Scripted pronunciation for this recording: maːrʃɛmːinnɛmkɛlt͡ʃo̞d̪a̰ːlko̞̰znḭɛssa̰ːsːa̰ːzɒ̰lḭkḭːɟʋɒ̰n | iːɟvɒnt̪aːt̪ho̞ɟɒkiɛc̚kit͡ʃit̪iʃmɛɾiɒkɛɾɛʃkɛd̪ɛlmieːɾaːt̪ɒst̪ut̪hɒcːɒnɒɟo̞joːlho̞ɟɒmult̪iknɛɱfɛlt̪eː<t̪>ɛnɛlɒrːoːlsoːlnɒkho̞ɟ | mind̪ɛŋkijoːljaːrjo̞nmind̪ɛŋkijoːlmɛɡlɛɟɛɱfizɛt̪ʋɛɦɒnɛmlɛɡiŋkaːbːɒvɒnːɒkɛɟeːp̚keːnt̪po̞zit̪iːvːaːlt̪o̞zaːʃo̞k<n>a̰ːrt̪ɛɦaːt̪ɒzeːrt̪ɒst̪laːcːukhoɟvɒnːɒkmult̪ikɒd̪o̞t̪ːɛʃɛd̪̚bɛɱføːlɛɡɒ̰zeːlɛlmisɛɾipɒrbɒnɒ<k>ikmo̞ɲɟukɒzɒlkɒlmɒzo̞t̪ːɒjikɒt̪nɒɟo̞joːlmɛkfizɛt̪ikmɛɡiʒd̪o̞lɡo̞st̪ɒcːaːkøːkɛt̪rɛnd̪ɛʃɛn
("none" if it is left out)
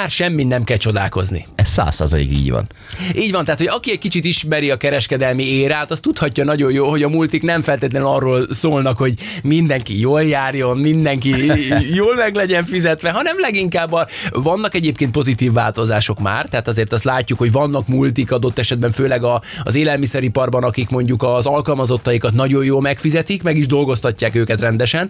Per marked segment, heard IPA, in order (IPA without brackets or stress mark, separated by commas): t̪, m, k